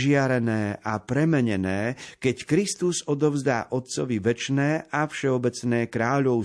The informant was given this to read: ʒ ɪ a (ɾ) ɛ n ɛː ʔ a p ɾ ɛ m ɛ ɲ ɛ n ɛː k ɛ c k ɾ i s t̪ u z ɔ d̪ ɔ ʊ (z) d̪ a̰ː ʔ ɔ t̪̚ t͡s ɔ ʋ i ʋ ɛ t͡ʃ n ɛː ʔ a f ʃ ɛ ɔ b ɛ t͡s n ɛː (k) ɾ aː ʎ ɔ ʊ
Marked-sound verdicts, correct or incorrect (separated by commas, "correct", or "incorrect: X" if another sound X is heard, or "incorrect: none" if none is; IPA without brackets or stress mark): correct, correct, correct